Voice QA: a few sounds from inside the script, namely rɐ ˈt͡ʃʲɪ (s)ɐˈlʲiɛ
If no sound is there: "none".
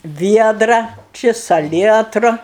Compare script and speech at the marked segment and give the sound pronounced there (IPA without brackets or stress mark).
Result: s